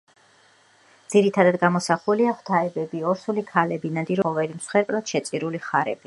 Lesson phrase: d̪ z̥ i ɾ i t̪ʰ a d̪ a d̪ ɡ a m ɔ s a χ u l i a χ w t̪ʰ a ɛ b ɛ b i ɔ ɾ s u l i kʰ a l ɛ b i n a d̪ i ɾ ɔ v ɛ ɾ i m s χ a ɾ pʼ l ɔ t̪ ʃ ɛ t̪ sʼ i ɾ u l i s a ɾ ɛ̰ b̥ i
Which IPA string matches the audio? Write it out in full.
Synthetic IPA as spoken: d̪ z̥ i ɾ i t̪ʰ a d̪ a d̪ ɡ a m ɔ s a χ u l i a χ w t̪ʰ a ɛ b ɛ b i ɔ ɾ s u l i kʰ a l ɛ b i n a d̪ i ɾ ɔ v ɛ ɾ i m s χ ɛ ɾ pʼ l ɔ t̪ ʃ ɛ t̪ sʼ i ɾ u l i χ a ɾ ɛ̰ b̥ i